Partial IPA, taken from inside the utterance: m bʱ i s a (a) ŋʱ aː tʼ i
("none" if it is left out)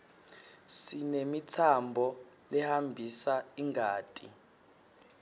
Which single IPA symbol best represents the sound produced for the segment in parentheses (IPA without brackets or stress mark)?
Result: i